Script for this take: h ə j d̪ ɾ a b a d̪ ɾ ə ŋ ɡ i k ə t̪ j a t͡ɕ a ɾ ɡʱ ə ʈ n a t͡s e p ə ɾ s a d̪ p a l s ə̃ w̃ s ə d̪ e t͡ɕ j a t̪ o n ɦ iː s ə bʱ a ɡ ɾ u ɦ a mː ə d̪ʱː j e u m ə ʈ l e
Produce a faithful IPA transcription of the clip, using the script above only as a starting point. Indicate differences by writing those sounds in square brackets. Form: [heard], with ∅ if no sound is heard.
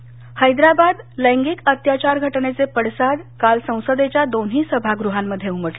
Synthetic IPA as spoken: h ə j d̪ ɾ a b a d̪ [l] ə ŋ ɡ i k ə t̪ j a t͡ɕ a ɾ ɡʱ ə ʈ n [e] t͡s e p ə [ɽ] s a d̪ [k] a l s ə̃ w̃ s ə d̪ e t͡ɕ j a [d̪] o n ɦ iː s ə bʱ a ɡ ɾ u ɦ a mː ə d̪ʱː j e u m ə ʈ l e